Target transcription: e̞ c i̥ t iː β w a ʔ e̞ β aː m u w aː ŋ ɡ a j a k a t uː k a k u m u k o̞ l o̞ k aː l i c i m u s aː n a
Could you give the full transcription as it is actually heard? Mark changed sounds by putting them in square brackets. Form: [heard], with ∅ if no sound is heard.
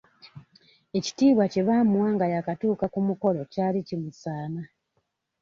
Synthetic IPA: e̞ c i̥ t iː β w a [c] e̞ β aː m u w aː ŋ ɡ a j a k a t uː k a k u m u k o̞ l o̞ [c] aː l i c i m u s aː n a